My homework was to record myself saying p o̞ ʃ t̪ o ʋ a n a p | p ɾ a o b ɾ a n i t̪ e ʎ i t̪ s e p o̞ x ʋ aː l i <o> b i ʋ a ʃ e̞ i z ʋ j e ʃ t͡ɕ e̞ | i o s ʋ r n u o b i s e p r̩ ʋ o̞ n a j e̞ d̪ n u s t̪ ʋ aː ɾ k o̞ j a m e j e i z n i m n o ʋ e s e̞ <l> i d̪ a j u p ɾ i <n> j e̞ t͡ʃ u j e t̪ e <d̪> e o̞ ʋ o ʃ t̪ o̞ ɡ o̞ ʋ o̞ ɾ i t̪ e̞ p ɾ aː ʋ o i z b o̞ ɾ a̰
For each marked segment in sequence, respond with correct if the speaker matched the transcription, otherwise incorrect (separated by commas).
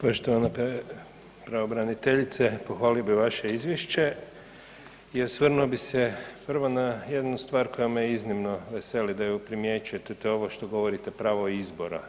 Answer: correct, correct, incorrect, incorrect